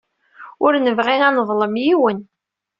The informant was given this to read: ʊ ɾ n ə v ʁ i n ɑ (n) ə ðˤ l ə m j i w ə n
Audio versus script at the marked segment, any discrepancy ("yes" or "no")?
no